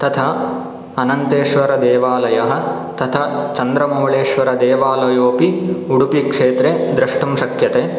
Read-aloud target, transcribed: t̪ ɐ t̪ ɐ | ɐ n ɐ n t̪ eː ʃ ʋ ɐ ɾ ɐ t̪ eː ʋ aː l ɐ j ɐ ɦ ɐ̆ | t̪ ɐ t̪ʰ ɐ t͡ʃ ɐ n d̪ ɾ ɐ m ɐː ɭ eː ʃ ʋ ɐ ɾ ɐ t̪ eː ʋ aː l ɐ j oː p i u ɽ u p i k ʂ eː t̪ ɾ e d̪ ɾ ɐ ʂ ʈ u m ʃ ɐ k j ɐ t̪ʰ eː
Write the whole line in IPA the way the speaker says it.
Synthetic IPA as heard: t̪ ɐ t̪ʰ ɐ | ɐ n ɐ n t̪ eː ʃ ʋ ɐ ɾ ɐ d̪ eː ʋ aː l ɐ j ɐ ɦ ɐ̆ | t̪ ɐ t̪ʰ ɐ t͡ʃ ɐ n d̪ ɾ ɐ m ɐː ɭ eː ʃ ʋ ɐ ɾ ɐ d̪ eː ʋ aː l ɐ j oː p i u ɽ u p i k ʂ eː t̪ ɾ e d̪ ɾ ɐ ʂ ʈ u m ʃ ɐ k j ɐ t̪ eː